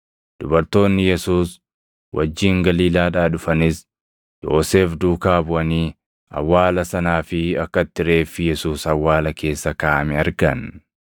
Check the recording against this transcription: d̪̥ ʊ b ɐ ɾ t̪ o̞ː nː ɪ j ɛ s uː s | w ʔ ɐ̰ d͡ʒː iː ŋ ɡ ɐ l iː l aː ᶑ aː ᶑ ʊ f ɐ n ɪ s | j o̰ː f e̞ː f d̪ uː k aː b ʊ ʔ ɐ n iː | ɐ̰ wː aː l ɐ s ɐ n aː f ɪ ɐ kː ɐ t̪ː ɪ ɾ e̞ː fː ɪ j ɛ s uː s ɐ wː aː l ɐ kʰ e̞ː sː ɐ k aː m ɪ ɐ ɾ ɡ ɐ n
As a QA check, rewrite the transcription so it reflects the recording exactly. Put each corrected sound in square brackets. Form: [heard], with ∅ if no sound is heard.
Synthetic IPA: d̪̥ ʊ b ɐ ɾ t̪ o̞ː nː ɪ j ɛ s uː s | w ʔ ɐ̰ d͡ʒː iː ŋ ɡ ɐ l iː l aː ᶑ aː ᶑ ʊ f ɐ n ɪ s | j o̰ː [s] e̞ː f d̪ uː k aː b ʊ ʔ ɐ n iː | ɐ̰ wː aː l ɐ s ɐ n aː f ɪ ɐ kː ɐ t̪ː ɪ ɾ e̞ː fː ɪ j ɛ s uː s ɐ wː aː l ɐ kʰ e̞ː sː ɐ k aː m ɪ ɐ ɾ ɡ ɐ n